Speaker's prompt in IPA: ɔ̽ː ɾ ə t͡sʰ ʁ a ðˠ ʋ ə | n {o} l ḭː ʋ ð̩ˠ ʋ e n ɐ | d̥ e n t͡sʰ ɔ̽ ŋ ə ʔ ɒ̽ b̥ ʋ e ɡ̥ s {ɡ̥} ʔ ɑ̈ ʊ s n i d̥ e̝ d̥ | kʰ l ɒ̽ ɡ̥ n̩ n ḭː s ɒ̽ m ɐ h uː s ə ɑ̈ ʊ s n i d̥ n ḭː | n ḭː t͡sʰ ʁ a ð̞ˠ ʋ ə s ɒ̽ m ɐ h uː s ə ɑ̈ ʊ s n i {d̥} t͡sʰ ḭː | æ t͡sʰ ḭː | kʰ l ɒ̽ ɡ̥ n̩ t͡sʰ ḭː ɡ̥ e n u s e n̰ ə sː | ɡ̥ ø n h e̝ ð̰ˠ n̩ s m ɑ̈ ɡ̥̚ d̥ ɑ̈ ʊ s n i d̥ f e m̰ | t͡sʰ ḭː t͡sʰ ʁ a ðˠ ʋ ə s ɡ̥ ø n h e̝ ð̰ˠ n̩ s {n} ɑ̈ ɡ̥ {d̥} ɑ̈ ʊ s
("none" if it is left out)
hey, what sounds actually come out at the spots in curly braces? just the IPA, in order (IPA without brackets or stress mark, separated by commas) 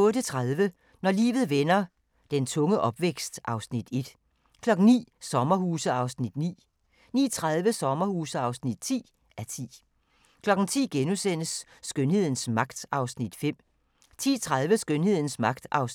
ɒ, d̥, d̥, m, d̥